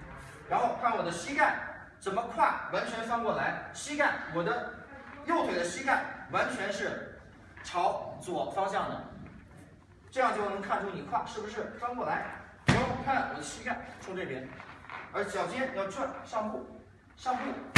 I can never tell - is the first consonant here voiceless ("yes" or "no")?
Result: no